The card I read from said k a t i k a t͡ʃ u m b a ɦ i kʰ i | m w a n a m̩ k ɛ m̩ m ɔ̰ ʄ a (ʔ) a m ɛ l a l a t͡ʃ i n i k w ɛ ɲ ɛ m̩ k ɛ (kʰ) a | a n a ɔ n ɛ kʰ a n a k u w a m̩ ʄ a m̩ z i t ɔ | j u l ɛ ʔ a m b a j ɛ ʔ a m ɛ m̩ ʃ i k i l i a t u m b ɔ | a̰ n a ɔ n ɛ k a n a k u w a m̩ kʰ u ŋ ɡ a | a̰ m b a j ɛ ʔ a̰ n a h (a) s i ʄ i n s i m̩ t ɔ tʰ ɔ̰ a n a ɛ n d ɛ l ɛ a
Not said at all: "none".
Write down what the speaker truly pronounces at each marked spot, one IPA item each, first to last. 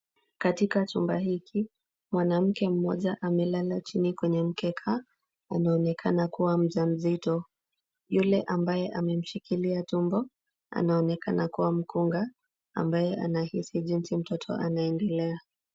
ʔ, kʰ, i

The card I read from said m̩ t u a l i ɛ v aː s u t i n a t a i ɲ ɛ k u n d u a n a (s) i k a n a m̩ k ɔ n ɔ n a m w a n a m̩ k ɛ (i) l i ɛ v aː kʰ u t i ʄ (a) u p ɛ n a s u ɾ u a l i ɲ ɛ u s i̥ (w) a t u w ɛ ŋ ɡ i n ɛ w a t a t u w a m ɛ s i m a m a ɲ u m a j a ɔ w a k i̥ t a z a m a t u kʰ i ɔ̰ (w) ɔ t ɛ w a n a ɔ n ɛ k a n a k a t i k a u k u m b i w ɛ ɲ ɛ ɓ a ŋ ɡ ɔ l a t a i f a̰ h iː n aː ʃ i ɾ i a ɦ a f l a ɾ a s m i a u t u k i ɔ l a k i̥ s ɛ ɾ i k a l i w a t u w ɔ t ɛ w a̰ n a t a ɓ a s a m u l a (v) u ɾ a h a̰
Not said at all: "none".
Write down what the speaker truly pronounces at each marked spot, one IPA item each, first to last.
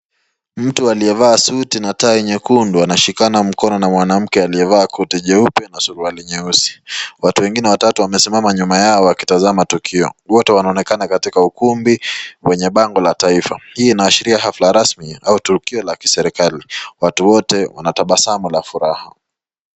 ʃ, a, ɛ, w, w, f

